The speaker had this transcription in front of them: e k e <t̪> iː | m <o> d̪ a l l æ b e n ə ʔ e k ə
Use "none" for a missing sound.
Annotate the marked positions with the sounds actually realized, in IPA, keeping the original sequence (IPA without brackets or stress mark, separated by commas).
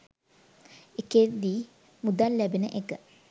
d̪, u